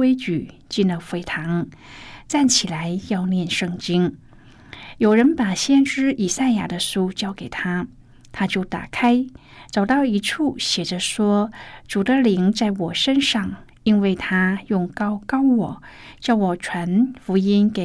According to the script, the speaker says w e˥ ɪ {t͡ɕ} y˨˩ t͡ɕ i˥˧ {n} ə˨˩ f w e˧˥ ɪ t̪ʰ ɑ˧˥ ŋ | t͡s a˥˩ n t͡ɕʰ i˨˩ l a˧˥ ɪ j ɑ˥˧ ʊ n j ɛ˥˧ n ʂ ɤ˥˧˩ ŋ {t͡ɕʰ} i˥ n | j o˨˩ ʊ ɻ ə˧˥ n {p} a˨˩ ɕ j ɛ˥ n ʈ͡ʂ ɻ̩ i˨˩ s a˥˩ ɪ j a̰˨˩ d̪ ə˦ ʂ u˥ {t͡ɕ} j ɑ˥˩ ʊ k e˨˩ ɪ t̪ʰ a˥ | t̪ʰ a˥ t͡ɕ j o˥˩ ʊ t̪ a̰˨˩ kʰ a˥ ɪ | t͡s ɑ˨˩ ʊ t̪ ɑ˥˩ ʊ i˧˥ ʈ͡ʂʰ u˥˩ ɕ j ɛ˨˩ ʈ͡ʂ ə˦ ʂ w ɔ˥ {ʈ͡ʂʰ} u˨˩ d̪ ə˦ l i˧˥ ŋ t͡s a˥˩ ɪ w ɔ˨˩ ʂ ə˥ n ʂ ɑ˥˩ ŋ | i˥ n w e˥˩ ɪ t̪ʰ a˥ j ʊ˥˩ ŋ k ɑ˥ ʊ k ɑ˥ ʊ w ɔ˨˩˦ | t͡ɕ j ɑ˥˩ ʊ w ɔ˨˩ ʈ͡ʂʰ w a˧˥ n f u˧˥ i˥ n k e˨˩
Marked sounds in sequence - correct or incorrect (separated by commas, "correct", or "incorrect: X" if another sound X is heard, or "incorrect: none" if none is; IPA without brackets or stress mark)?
correct, correct, incorrect: t͡ɕ, correct, correct, incorrect: ʈ͡ʂ